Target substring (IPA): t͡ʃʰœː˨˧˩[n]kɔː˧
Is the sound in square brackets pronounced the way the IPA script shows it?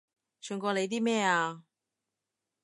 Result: no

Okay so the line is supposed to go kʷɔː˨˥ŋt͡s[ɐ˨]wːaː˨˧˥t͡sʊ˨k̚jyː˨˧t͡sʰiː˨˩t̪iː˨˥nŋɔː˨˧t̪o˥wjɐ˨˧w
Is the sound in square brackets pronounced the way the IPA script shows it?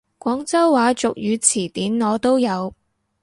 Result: no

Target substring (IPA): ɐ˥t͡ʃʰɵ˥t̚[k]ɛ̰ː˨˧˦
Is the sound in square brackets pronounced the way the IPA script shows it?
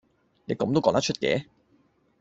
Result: yes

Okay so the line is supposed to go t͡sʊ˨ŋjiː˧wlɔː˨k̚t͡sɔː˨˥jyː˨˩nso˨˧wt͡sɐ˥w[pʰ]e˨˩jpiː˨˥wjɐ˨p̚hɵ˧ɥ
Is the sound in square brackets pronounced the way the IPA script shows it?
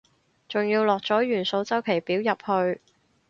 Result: no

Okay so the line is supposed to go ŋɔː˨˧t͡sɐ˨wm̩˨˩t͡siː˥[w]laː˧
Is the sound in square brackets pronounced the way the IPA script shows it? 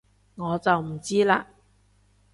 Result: no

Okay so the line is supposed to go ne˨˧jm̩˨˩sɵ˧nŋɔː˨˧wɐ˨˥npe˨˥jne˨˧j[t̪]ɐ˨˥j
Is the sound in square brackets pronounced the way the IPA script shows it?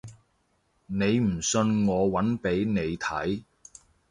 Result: no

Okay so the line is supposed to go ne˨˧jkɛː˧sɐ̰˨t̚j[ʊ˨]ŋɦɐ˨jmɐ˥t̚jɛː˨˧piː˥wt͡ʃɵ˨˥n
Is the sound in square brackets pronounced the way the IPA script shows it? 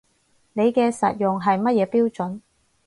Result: yes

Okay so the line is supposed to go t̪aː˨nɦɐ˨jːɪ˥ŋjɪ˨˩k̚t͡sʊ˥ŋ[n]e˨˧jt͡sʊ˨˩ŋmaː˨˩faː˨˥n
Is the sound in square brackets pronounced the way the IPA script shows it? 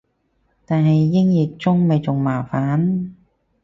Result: no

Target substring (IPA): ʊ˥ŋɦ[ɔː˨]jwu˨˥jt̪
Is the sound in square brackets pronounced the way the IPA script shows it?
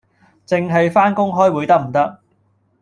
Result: no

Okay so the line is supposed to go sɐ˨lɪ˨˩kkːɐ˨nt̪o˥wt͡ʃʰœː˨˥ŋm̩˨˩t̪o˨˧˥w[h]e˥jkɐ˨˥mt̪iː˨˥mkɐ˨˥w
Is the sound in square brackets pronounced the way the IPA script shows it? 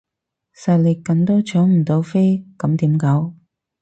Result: no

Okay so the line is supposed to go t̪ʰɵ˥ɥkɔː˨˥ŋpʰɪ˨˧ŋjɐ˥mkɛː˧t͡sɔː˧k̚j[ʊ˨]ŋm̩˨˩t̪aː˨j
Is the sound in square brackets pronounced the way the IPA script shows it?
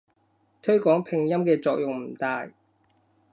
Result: yes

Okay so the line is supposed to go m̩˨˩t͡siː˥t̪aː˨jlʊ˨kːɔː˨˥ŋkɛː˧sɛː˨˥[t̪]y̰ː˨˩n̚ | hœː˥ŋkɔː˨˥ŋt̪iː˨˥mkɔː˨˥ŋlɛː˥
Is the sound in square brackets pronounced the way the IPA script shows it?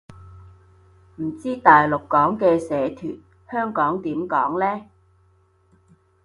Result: no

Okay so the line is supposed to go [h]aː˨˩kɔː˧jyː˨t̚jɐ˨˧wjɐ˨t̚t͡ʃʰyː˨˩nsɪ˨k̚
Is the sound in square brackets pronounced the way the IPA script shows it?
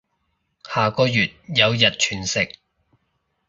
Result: yes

